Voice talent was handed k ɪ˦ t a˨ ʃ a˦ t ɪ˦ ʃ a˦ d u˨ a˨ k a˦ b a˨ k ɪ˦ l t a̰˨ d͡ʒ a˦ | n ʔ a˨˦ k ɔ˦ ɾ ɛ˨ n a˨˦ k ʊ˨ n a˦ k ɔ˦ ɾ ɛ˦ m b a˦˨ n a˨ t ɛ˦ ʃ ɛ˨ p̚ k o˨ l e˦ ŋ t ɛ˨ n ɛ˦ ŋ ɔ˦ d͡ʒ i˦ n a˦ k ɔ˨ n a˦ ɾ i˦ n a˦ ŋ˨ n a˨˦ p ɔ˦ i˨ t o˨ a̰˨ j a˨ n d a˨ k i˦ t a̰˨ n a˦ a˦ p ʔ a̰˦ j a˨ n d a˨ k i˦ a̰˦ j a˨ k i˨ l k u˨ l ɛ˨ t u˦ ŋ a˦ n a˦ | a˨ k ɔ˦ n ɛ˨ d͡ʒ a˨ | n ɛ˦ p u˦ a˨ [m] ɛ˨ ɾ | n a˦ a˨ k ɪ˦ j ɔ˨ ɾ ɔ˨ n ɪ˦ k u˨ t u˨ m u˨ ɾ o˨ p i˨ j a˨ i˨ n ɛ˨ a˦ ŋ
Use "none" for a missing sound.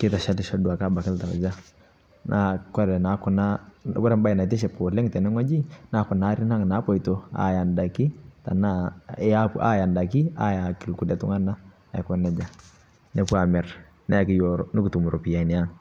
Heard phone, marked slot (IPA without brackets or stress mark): m